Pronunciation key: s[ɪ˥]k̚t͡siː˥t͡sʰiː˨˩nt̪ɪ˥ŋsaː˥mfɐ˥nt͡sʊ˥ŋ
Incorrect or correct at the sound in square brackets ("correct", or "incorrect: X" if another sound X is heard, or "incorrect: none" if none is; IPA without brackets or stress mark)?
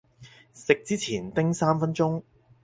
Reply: incorrect: ɪ˨